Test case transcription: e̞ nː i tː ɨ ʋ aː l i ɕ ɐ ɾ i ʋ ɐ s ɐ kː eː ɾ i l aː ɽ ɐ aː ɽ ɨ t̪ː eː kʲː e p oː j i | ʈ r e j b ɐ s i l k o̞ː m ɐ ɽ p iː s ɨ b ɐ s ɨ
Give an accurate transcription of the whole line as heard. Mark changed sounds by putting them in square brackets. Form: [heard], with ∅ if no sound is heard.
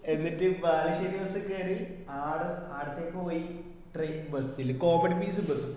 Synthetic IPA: e̞ nː i tː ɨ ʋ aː l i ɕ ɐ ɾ i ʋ ɐ s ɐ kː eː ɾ i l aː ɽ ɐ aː ɽ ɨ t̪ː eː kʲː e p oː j i | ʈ r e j b ɐ s i l k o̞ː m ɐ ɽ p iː s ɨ b ɐ s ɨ